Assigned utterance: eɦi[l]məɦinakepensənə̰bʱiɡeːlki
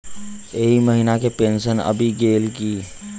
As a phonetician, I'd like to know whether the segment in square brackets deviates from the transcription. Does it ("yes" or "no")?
yes